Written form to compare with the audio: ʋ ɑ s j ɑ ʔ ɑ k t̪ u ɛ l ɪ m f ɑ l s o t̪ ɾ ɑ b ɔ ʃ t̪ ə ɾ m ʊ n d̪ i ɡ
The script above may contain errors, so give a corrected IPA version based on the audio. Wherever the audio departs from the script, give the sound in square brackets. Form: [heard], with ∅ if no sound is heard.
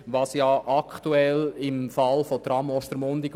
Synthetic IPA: ʋ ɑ s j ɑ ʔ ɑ k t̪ u ɛ l ɪ m f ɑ l [f] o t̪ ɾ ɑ [m] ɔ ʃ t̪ ə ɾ m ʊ n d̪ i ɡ

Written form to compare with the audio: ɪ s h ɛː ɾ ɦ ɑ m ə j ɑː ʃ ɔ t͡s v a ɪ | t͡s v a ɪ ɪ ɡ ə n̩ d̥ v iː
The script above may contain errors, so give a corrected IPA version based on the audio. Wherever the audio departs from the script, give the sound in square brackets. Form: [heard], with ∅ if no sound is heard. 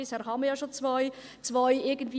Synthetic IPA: ɪ s h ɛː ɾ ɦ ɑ m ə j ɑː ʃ [o] t͡s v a ɪ | t͡s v a ɪ ɪ ɡ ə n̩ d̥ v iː

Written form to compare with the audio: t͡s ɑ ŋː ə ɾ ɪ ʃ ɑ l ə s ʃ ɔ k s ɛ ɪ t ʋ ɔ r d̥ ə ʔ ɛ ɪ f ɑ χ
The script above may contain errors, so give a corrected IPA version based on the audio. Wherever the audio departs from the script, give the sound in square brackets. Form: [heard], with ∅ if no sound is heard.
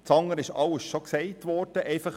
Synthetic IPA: t͡s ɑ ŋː ə ɾ ɪ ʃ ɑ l ə s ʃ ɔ k s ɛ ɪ t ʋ ɔ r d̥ ə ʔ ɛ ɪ f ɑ χ

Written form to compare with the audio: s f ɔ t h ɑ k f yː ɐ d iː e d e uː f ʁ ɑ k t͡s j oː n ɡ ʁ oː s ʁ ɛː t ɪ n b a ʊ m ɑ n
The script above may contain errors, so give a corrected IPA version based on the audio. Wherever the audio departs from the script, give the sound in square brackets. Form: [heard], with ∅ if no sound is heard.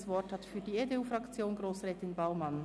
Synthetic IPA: s [v] ɔ t h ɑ [t] f yː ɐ d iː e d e uː f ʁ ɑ k t͡s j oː n ɡ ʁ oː s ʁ ɛː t ɪ n b a ʊ m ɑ n

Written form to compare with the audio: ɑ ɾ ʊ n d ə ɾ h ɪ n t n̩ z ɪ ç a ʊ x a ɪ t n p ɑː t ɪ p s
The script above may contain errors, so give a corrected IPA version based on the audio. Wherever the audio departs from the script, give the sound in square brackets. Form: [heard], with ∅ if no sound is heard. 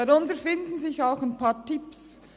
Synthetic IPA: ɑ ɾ ʊ n [t] ə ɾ [f] ɪ n [d] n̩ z ɪ ç a ʊ x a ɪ [∅] n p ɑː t ɪ p s

